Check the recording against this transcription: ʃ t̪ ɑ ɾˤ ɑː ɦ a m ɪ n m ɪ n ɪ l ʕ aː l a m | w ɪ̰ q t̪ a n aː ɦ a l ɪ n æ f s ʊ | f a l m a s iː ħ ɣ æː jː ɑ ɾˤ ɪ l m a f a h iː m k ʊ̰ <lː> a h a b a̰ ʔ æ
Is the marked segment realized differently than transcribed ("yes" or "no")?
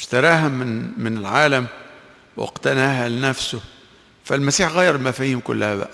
no